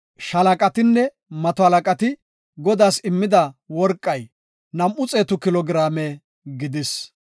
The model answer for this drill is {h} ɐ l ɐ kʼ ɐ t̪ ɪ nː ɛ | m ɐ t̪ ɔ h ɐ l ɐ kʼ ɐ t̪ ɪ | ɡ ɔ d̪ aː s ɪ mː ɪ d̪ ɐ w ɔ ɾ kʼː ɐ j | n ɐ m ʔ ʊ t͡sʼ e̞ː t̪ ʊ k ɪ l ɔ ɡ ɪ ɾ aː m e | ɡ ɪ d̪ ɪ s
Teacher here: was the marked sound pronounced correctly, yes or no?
no